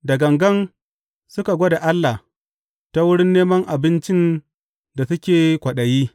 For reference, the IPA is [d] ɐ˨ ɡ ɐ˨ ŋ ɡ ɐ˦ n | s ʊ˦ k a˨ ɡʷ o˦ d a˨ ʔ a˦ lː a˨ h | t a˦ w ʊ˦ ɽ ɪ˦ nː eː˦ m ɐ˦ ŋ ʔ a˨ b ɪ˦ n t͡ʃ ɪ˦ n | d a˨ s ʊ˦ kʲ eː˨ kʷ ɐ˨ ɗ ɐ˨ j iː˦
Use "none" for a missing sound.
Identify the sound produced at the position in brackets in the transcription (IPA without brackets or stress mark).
d